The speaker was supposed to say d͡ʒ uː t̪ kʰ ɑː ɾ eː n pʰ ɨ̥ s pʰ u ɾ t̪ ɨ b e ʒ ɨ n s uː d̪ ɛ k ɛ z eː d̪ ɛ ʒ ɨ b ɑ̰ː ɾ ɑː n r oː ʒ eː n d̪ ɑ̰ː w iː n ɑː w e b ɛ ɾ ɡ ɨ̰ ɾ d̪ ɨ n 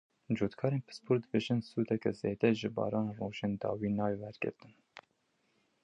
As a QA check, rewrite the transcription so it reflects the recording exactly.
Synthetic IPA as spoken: d͡ʒ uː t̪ kʰ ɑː ɾ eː n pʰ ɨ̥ s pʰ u ɾ d̪ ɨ b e ʒ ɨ n s uː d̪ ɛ k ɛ z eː d̪ ɛ ʒ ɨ b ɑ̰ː ɾ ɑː n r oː ʒ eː n d̪ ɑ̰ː w iː n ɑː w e w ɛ ɾ ɡ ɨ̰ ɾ t̪ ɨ n